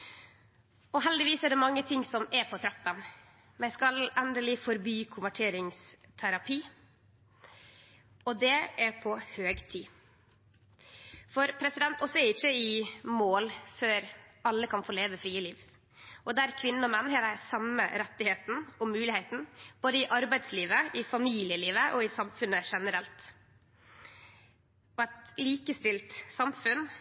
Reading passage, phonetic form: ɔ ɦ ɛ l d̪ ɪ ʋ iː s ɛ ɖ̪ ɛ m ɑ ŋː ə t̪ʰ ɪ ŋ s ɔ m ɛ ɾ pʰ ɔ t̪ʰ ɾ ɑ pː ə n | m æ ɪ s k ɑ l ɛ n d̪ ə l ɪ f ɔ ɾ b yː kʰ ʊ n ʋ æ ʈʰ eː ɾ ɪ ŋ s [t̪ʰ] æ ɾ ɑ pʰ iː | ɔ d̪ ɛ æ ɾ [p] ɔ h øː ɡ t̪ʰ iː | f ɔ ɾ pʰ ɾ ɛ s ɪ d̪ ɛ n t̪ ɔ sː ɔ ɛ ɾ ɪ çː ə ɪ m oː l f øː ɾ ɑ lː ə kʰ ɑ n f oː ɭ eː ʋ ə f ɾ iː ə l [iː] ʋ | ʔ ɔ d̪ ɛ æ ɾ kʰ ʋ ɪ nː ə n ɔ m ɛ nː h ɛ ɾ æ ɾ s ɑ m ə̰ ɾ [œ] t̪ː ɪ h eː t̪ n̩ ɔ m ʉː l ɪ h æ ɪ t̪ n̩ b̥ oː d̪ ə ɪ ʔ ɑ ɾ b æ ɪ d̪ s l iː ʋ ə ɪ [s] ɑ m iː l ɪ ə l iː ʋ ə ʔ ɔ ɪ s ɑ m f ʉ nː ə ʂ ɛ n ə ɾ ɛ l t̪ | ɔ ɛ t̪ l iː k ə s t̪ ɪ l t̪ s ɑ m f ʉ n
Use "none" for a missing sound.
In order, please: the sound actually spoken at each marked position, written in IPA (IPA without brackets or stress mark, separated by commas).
t̪ʰ, pʰ, iː, ɛ, f